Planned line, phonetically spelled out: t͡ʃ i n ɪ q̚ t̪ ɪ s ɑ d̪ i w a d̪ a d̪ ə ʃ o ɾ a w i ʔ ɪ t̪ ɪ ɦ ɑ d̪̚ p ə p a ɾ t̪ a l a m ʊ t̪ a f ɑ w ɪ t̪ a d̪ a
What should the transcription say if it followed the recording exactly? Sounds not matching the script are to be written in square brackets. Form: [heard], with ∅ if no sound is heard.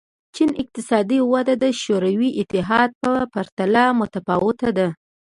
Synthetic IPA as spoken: t͡ʃ i n ɪ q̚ t̪ ɪ s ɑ d̪ i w a d̪ a d̪ ə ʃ o ɾ a w i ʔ ɪ t̪ ɪ ɦ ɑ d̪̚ p ə p a ɾ t̪ a l a m ʊ t̪ a f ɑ w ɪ t̪ a d̪ a